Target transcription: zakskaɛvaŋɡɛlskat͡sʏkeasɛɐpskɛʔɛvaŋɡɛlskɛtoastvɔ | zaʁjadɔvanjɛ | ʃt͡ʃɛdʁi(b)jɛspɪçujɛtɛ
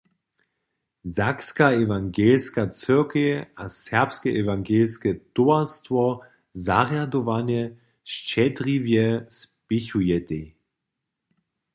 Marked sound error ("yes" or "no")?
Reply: yes